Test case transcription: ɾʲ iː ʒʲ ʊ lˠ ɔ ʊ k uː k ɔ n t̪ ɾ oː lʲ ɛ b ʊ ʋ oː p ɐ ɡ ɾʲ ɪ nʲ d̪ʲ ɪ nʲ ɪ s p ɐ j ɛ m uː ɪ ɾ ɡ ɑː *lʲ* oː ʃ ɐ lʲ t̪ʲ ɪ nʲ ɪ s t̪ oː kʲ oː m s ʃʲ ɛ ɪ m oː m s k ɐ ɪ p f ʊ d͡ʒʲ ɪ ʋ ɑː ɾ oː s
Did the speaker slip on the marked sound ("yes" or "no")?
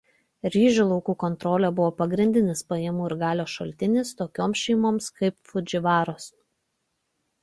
no